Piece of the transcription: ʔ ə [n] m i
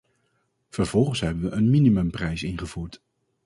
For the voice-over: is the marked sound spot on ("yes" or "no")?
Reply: yes